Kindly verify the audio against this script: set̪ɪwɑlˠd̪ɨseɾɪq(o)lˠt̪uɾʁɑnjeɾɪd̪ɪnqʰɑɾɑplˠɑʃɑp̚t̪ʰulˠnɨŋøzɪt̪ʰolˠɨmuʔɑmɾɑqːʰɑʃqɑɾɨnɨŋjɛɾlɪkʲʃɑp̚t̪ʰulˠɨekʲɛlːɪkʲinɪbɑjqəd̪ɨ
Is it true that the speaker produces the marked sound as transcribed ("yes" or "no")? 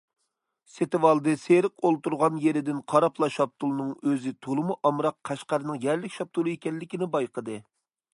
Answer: yes